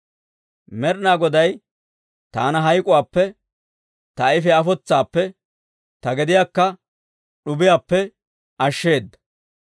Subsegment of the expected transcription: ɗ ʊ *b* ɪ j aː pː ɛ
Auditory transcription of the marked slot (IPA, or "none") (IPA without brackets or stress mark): b